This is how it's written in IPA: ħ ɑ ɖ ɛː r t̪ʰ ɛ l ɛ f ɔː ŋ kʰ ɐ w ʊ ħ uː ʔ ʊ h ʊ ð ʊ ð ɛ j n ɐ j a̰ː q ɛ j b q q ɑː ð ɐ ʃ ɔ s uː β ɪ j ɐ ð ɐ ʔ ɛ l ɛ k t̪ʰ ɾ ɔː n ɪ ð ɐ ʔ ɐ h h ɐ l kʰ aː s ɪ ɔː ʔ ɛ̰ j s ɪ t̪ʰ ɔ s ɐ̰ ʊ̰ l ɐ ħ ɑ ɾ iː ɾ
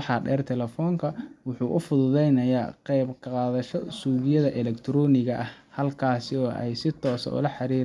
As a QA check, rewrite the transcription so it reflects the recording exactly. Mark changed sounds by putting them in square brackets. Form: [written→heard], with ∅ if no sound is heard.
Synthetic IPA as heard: ħ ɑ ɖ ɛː r t̪ʰ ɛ l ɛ f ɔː ŋ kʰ ɐ w ʊ ħ uː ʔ ʊ [h→f] ʊ ð ʊ ð ɛ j n ɐ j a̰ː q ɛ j b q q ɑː ð ɐ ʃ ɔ s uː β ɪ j ɐ ð ɐ ʔ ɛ l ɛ k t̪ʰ ɾ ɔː n ɪ [ð→ɣ] ɐ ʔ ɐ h h ɐ l kʰ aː s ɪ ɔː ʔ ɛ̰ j s ɪ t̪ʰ [ɔ→ɔː] s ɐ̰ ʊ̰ l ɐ ħ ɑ ɾ iː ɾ